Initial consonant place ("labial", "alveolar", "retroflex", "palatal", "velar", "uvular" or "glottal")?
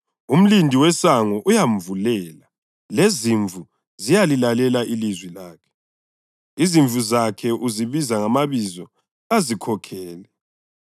labial